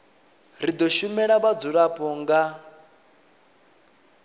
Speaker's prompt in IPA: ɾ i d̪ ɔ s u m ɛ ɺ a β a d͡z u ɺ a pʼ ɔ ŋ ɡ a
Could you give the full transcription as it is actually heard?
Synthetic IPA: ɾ i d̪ ɔ ʃ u m ɛ ɺ a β a d͡z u ɺ a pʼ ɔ ŋ ɡ a